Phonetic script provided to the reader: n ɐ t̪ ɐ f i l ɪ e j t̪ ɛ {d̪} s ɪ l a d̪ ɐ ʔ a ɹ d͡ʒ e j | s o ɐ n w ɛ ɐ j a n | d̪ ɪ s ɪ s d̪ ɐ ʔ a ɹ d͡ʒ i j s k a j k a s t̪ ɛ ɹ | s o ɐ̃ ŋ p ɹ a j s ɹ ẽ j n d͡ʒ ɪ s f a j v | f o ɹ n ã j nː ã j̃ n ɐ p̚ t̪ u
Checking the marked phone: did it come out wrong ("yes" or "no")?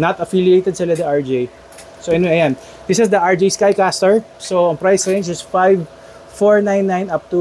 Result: no